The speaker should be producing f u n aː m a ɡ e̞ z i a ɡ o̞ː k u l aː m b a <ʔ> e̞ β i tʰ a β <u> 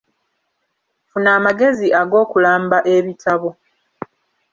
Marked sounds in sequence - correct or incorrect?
correct, incorrect

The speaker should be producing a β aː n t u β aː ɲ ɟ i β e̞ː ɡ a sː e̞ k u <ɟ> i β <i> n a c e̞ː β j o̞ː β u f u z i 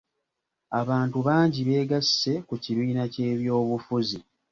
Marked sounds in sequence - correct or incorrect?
incorrect, incorrect

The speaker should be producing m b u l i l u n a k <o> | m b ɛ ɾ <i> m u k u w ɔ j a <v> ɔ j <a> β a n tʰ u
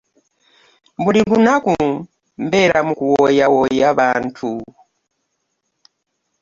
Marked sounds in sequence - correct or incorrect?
incorrect, incorrect, incorrect, correct

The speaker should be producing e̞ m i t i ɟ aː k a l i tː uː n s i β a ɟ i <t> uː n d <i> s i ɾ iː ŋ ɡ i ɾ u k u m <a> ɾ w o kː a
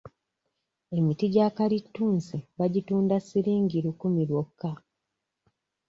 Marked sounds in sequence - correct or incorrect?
correct, incorrect, incorrect

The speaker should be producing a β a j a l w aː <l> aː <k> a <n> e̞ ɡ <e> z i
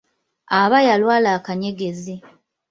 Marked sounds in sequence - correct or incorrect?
correct, correct, incorrect, correct

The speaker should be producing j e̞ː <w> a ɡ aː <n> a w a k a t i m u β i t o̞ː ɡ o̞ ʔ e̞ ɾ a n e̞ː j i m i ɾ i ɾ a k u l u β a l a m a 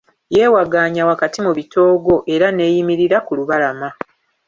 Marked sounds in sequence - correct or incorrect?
correct, incorrect

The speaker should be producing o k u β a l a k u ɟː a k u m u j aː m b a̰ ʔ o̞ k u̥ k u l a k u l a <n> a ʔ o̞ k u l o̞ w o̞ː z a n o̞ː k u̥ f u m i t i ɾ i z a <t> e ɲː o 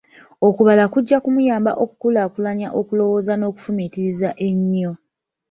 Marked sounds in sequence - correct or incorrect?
incorrect, incorrect

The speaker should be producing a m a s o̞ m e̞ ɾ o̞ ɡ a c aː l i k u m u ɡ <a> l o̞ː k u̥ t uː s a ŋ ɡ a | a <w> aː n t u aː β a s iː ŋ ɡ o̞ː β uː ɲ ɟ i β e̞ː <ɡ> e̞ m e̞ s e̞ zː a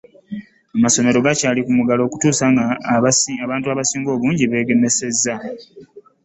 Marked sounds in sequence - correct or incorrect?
correct, incorrect, correct

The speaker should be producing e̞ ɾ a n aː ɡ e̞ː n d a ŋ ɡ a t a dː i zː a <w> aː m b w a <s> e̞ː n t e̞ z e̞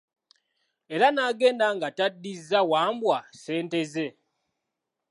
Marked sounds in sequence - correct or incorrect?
correct, correct

